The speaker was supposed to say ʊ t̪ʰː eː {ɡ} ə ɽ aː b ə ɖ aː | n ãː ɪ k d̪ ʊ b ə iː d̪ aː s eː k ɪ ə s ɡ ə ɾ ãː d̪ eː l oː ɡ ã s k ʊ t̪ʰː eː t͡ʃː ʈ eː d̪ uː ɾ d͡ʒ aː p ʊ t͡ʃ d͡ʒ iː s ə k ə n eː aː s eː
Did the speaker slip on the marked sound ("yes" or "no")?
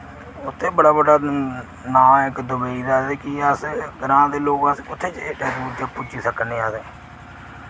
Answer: yes